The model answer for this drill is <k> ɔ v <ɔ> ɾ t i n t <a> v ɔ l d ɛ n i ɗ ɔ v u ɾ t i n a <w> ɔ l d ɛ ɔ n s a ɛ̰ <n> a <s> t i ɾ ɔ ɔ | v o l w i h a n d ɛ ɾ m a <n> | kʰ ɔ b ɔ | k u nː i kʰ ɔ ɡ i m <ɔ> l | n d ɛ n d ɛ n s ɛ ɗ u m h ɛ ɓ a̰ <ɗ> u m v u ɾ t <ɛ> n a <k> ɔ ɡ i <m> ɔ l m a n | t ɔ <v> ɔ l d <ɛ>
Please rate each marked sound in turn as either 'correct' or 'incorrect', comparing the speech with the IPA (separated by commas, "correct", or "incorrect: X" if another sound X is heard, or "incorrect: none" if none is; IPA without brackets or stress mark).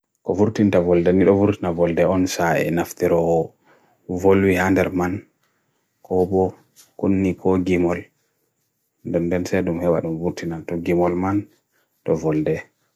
correct, incorrect: u, correct, incorrect: v, correct, incorrect: f, correct, correct, correct, incorrect: i, incorrect: t, correct, correct, correct